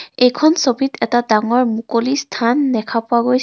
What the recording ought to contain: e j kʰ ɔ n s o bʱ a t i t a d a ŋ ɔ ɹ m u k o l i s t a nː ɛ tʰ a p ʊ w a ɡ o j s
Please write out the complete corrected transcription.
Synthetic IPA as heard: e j kʰ ɔ n s o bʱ i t ɛ t a d a ŋ ɔ ɹ m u k o l i s tʰ a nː ɛ kʰ a p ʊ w a ɡ o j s